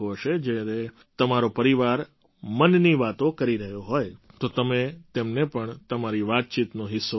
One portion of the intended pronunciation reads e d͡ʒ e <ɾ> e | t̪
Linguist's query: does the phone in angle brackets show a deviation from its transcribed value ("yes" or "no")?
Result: no